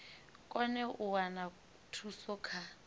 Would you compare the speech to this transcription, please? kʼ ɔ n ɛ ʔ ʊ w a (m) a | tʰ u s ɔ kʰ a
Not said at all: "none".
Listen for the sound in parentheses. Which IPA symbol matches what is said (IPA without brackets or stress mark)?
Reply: n